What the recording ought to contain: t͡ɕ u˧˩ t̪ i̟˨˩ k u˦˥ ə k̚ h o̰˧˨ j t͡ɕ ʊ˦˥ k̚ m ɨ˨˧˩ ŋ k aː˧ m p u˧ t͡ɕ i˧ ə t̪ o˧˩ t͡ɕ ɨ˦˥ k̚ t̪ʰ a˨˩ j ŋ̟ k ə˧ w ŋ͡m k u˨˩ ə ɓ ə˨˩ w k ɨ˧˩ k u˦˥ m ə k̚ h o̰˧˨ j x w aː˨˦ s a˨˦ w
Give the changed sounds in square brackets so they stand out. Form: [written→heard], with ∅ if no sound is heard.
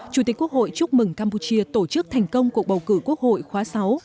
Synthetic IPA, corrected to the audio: t͡ɕ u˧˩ t̪ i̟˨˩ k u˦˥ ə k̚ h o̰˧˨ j t͡ɕ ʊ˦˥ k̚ m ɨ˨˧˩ ŋ k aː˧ m p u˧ t͡ɕ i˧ ə t̪ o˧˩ t͡ɕ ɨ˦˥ k̚ t̪ʰ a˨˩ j ŋ̟ k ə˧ w ŋ͡m k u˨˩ ə ɓ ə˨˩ w k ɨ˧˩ k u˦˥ [m→∅] ə k̚ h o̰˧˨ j x w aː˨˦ s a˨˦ w